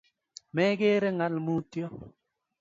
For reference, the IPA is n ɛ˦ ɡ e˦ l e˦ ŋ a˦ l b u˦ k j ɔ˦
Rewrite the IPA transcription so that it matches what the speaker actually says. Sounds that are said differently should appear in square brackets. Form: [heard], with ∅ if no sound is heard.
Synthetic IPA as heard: [m] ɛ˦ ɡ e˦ [ɾ] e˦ ŋ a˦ l [m] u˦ [t] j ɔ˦